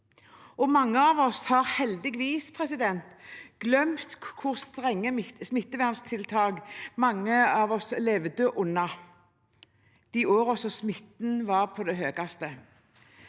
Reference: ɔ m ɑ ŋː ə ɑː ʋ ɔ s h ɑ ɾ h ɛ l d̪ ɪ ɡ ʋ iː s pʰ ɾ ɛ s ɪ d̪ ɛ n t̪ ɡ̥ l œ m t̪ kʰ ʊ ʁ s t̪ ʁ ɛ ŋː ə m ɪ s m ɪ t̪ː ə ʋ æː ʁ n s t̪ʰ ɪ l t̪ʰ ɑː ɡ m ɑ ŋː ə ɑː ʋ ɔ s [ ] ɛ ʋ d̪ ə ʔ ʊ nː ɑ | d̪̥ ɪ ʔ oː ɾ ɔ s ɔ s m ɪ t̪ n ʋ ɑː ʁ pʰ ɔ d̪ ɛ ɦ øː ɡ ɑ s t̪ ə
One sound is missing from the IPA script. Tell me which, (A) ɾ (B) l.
B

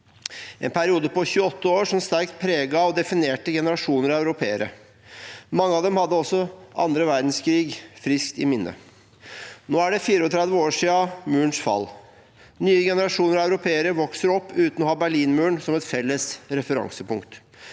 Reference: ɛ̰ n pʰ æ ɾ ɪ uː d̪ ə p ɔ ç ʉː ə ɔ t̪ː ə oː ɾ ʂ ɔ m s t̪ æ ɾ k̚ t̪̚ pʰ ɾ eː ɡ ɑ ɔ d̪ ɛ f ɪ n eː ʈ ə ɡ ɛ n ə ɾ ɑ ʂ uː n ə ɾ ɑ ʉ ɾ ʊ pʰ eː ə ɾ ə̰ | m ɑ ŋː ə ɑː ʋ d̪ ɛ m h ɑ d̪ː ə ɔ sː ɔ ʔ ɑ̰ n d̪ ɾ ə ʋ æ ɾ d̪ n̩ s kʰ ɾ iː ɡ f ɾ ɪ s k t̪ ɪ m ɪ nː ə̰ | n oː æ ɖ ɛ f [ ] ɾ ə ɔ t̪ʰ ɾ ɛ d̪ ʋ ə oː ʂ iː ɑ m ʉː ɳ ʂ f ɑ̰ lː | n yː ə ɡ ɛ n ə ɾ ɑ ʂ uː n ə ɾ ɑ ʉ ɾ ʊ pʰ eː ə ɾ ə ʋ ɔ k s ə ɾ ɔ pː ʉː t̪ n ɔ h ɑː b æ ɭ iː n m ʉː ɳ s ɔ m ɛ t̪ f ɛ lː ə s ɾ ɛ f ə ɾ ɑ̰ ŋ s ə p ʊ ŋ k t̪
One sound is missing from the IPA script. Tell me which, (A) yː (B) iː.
B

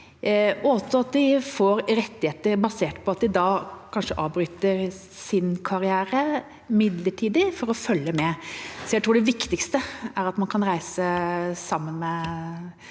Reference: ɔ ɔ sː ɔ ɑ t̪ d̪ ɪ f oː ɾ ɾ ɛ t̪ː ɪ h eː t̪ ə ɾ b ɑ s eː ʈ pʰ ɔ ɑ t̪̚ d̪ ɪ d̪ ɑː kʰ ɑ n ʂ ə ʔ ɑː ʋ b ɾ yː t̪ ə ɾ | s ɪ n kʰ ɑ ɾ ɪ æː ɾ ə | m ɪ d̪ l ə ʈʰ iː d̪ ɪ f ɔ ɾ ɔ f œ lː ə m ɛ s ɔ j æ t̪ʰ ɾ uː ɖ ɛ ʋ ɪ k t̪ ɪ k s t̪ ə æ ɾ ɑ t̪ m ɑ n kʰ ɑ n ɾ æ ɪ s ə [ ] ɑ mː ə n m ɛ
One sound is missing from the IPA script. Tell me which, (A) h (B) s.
B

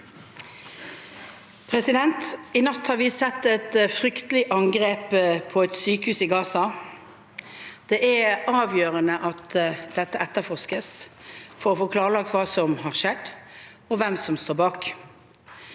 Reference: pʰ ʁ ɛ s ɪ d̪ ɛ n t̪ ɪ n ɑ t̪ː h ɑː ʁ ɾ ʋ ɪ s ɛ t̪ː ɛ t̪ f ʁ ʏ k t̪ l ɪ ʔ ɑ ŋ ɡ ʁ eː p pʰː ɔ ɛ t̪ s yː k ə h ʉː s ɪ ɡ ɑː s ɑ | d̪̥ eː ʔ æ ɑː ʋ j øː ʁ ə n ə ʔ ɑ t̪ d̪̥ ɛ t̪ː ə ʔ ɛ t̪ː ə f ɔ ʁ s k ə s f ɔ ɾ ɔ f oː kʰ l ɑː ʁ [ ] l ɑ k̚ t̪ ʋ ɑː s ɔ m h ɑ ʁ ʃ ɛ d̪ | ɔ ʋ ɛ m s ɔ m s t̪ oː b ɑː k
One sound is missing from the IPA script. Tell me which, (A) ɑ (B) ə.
B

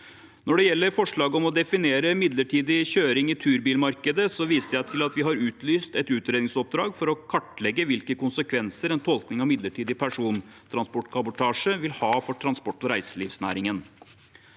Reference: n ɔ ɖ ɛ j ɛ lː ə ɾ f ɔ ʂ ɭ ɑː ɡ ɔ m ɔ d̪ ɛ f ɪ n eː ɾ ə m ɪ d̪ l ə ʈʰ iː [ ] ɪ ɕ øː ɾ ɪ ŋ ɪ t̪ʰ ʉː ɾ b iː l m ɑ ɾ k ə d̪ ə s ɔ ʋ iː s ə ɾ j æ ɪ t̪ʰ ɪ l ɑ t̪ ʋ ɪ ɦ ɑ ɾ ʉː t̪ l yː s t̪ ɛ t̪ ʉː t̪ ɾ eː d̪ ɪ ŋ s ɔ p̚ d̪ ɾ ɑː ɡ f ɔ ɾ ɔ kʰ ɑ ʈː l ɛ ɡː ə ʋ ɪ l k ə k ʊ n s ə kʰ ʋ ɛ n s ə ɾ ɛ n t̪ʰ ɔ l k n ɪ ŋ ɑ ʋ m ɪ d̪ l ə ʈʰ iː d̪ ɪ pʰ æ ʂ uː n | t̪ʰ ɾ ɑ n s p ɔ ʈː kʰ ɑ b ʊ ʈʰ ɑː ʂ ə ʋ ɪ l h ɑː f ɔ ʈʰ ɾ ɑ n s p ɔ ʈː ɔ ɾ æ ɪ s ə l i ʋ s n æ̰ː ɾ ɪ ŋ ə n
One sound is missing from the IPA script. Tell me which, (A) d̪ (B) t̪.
A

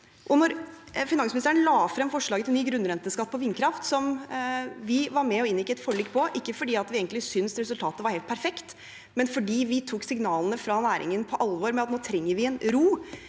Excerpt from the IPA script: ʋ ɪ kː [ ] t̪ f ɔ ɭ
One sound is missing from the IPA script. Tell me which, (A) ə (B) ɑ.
A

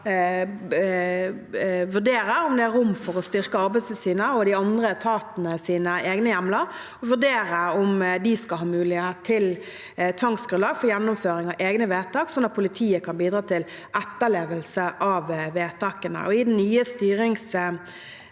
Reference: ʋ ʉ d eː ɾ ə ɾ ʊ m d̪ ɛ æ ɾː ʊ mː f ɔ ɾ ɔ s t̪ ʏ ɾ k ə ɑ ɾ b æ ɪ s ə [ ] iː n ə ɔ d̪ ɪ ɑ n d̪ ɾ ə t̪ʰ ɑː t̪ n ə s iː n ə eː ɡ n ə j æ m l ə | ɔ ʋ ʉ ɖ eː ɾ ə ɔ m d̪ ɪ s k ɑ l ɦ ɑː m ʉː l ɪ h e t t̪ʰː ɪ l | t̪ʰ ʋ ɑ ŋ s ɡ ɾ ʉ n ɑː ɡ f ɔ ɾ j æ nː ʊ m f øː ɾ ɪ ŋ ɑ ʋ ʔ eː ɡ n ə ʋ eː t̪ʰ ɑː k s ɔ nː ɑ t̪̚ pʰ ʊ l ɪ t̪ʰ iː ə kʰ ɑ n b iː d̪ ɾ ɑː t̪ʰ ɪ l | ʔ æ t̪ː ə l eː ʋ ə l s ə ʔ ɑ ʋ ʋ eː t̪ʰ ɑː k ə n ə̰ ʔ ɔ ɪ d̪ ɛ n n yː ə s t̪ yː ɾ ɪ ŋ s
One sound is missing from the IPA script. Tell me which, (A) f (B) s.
B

